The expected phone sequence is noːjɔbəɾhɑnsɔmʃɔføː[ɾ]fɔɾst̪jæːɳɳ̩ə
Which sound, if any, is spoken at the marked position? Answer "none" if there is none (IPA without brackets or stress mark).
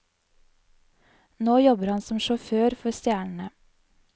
ɾ